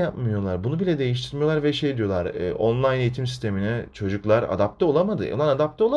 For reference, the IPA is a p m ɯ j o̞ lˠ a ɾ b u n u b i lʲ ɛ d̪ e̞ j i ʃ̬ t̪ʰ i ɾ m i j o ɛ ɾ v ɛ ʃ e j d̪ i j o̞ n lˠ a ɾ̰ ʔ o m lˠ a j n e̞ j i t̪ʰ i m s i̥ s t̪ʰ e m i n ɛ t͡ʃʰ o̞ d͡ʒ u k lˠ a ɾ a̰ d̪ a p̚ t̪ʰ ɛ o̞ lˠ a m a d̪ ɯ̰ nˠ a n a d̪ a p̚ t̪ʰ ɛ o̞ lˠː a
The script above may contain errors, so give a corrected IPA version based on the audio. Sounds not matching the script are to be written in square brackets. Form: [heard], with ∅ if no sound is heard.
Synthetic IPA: a p m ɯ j o̞ lˠ a ɾ b u n u b i lʲ ɛ d̪ e̞ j i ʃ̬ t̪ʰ i ɾ m i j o [a] ɾ v ɛ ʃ e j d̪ i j o̞ [∅] lˠ a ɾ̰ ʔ o [n] lˠ a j n e̞ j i t̪ʰ i m s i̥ s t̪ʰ e m i n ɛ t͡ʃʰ o̞ d͡ʒ u k lˠ a ɾ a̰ d̪ a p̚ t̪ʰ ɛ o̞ lˠ a m a d̪ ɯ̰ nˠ a n a d̪ a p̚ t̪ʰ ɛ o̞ [lˠ] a